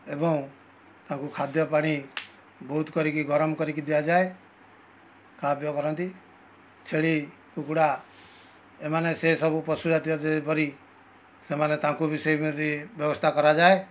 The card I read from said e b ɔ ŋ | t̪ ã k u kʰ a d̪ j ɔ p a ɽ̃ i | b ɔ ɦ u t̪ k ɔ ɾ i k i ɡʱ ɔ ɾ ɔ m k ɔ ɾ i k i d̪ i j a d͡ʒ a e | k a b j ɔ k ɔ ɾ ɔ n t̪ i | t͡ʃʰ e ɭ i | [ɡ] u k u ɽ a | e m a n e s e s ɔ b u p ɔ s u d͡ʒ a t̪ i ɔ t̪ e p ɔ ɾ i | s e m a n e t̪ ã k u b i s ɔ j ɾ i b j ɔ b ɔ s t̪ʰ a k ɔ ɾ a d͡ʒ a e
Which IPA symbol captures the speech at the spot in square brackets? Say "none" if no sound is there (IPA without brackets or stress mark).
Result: k